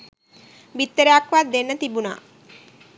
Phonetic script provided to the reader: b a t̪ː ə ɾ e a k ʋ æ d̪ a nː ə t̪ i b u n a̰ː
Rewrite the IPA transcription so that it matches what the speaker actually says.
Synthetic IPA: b i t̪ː ə ɾ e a k ʋ a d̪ e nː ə t̪ i b u n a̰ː